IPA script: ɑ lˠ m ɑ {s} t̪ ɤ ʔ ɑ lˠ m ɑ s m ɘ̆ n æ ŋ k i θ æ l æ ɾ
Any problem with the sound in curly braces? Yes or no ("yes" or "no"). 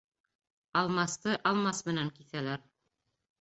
no